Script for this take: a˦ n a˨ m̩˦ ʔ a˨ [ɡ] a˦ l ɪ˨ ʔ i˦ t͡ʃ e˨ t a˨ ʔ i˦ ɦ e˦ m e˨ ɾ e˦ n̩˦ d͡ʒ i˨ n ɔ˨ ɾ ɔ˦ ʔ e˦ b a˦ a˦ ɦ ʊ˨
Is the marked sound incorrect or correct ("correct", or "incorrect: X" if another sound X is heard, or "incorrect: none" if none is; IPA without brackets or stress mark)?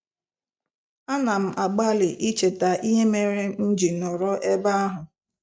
incorrect: ɡ͡b